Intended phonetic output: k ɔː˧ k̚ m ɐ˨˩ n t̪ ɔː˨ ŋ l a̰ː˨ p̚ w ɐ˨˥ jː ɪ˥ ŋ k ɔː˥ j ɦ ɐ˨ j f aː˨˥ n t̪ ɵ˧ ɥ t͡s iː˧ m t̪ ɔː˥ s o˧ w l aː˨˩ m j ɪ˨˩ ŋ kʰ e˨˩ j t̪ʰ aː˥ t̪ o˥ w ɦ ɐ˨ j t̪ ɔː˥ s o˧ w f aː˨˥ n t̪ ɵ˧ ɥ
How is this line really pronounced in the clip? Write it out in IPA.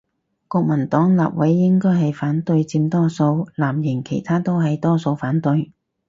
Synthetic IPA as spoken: k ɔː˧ k̚ m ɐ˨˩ n t̪ ɔː˨˥ ŋ l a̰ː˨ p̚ w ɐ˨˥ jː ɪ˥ ŋ k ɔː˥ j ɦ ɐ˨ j f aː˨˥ n t̪ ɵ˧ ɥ t͡s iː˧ m t̪ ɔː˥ s o˧ w l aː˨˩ m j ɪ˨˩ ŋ kʰ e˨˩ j t̪ʰ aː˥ t̪ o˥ w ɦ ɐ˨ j t̪ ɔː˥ s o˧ w f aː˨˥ n t̪ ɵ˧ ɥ